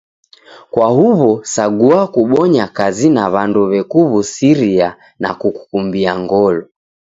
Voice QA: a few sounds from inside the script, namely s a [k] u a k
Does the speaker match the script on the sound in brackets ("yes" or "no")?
no